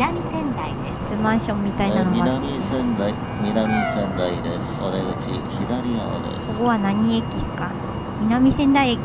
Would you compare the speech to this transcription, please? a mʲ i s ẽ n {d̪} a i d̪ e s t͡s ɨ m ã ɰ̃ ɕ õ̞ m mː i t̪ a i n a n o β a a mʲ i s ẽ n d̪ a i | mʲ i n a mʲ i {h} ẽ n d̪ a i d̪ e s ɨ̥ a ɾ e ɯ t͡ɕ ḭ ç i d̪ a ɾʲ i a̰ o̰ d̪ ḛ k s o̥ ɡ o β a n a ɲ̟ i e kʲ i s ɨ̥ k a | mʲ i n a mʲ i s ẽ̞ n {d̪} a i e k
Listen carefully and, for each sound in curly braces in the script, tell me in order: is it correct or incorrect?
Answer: correct, incorrect, correct

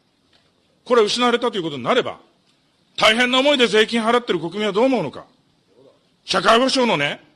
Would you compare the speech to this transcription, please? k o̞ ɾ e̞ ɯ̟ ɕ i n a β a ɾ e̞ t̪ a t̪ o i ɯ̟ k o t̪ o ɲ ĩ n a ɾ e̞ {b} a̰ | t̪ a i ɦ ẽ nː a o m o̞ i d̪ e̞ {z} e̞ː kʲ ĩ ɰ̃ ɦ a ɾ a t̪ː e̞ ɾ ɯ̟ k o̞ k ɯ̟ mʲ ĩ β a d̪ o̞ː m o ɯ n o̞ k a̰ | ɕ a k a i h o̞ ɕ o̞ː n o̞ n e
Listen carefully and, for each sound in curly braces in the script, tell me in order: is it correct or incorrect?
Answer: correct, correct

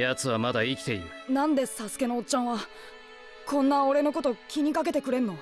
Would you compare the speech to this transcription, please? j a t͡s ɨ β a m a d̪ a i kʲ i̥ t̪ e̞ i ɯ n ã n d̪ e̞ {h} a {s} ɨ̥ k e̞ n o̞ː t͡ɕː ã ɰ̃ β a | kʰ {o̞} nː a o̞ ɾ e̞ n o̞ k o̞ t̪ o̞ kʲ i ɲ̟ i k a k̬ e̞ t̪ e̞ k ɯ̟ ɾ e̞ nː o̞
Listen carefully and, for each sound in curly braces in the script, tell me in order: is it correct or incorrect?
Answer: incorrect, correct, incorrect

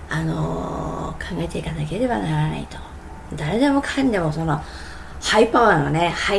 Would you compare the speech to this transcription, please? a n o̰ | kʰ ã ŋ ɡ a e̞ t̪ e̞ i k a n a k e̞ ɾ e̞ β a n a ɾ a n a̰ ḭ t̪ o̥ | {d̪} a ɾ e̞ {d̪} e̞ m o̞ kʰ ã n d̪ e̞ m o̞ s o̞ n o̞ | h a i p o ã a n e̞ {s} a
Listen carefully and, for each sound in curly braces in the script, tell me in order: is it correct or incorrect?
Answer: correct, correct, incorrect

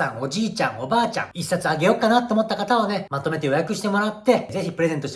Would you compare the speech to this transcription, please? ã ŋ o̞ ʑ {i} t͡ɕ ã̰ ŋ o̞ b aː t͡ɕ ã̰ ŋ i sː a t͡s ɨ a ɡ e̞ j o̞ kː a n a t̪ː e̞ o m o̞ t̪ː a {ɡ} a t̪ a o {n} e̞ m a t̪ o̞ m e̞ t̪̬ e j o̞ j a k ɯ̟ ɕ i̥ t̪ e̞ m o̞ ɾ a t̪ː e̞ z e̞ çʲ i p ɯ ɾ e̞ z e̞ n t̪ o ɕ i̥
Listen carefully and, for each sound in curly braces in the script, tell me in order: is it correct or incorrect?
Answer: incorrect, incorrect, correct

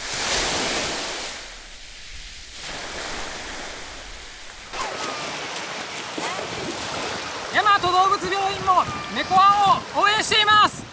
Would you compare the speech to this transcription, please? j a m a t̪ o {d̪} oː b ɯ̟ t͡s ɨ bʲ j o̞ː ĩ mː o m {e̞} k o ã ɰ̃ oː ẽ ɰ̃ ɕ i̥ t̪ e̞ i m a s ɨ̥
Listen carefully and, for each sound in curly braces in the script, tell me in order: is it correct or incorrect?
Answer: correct, correct

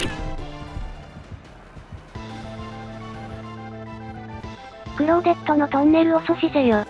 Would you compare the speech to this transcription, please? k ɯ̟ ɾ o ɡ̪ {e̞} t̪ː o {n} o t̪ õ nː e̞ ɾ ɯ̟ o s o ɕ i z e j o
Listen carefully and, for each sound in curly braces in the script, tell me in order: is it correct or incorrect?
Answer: correct, correct

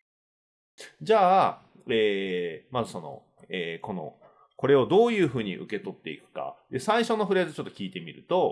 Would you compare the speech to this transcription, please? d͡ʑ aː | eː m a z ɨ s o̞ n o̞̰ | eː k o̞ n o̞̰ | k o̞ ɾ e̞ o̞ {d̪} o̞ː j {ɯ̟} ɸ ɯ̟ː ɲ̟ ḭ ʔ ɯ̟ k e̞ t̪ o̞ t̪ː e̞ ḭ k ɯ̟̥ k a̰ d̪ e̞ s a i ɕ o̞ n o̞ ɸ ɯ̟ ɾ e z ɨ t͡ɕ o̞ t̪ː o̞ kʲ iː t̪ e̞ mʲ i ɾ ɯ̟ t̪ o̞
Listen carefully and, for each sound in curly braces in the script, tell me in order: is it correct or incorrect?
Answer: correct, incorrect

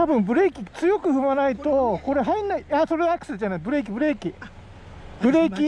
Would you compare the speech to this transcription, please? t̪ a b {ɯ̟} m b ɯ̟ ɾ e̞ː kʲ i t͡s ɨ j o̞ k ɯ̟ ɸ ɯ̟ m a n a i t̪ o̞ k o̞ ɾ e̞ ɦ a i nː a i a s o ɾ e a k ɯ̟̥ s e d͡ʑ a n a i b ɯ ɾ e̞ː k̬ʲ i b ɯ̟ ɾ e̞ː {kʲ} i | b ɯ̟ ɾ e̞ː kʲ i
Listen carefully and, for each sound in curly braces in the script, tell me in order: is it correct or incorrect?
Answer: incorrect, correct

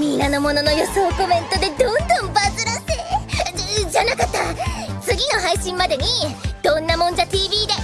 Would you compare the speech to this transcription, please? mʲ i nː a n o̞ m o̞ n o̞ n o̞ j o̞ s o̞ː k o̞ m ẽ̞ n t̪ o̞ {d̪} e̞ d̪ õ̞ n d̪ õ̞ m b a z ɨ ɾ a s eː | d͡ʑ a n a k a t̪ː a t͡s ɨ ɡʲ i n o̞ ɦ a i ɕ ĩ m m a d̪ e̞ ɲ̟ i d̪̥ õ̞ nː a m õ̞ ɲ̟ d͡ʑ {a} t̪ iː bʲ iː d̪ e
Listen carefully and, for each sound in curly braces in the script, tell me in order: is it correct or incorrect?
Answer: correct, correct

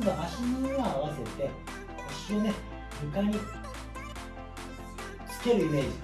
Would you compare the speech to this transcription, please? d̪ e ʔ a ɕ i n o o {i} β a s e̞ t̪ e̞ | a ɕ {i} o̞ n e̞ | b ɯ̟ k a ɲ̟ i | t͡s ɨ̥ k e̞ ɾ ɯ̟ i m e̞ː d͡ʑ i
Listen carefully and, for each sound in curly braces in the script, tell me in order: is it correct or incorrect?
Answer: incorrect, correct

